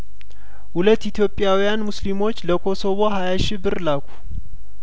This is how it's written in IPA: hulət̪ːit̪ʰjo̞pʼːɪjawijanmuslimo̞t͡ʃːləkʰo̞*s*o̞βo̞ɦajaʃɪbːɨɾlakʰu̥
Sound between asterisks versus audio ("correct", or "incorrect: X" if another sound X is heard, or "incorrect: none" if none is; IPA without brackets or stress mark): correct